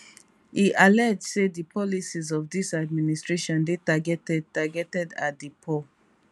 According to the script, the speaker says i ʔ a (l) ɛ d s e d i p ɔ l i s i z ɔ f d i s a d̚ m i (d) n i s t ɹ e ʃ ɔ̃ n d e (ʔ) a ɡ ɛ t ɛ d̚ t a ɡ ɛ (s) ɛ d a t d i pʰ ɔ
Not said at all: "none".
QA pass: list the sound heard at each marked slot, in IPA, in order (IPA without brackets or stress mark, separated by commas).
l, none, t, t